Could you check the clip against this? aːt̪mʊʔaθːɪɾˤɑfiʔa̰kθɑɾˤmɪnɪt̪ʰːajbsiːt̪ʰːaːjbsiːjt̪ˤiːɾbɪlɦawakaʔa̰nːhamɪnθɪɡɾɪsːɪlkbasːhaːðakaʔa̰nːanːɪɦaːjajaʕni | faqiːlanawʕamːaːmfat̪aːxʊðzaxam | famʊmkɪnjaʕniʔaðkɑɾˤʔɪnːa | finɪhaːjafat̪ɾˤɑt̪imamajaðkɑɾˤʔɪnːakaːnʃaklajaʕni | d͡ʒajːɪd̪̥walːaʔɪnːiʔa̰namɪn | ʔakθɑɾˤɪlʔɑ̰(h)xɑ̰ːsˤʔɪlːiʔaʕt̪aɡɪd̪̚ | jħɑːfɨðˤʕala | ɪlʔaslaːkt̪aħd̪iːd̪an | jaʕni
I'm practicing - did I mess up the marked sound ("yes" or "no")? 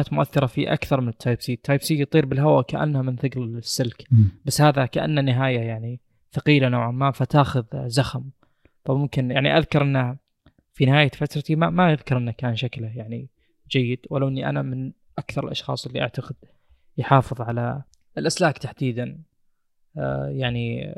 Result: yes